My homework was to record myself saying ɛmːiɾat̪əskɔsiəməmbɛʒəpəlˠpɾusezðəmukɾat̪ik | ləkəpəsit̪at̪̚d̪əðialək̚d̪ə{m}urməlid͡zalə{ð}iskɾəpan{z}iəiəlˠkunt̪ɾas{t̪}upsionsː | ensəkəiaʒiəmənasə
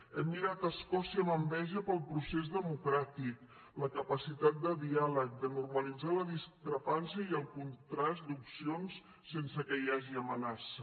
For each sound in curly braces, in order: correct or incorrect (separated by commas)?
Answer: incorrect, correct, incorrect, incorrect